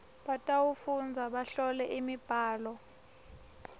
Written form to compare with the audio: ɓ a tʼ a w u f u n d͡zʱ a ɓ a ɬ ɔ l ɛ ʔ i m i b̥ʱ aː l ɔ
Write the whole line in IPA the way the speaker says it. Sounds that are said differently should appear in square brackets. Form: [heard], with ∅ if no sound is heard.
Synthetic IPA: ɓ a tʼ a w u f u n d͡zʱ a ɓ a ɬ ɔ l ɛ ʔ i m i b̥ʱ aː l ɔ

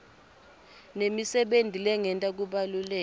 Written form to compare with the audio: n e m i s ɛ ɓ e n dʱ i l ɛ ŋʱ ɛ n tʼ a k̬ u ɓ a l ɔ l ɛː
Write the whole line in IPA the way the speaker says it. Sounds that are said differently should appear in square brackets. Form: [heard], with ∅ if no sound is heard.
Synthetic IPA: n e m i s ɛ ɓ e n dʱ i l ɛ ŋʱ ɛ n tʼ a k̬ u ɓ a l [u] l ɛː

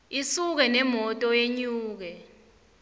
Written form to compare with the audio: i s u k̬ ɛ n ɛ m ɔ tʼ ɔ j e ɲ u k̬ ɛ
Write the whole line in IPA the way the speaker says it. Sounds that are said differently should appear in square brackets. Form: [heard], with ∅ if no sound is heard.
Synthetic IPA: i s u k̬ ɛ n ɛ m ɔ tʼ ɔ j e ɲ [uː] k̬ ɛ

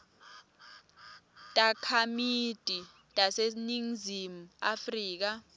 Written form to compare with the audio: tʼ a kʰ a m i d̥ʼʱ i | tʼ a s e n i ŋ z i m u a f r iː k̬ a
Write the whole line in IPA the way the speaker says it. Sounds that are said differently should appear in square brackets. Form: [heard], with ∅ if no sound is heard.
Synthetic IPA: tʼ a kʰ a m i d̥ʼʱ i | tʼ a s e n i ŋ z i m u a f r iː k̬ a

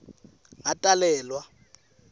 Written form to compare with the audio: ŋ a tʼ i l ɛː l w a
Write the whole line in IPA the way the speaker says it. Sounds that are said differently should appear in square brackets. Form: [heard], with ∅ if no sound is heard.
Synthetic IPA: ŋ a tʼ [a] l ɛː l w a

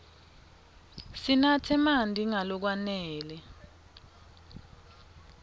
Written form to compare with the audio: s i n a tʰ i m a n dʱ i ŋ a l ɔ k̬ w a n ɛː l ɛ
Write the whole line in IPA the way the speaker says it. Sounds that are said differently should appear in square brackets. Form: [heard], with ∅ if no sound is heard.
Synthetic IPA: s i n a tʰ [ɛ] m a n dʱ i ŋ a l ɔ k̬ w a n ɛː l ɛ

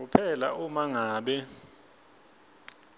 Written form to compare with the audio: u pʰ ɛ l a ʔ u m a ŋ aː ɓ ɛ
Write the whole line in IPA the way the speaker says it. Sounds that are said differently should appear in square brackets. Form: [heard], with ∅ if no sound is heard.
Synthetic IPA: u pʰ ɛ l a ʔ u m a ŋ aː ɓ ɛ

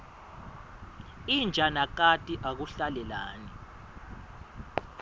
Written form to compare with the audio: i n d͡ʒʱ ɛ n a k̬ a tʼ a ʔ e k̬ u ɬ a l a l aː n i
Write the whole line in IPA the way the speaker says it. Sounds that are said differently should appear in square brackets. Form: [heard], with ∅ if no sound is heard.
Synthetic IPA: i n d͡ʒʱ [a] n a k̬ a tʼ [i] ʔ [a] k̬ u ɬ a l [ɛ] l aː n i

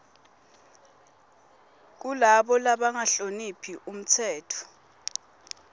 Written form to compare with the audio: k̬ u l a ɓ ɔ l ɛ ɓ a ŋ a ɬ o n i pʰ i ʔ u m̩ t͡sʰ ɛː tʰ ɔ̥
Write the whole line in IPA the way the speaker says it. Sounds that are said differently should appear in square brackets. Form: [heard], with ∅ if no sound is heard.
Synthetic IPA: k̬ u l a ɓ ɔ l [a] ɓ a ŋ a ɬ o n i pʰ i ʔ u m̩ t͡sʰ ɛː tʰ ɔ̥

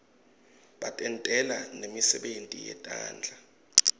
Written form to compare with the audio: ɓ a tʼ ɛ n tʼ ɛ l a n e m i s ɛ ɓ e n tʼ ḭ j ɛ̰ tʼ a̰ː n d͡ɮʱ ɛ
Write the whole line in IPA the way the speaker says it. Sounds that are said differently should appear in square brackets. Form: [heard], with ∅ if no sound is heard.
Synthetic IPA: ɓ a tʼ ɛ n tʼ ɛ l a n e m i s ɛ ɓ e n tʼ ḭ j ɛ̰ tʼ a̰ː n d͡ɮʱ [a]

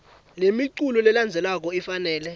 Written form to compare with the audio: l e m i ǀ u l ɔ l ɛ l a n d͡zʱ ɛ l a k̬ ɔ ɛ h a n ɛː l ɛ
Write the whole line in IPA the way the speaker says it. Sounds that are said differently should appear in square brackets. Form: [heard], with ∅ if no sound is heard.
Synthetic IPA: l e m i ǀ u l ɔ l ɛ l a n d͡zʱ ɛ l a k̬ ɔ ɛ [f] a n ɛː l ɛ

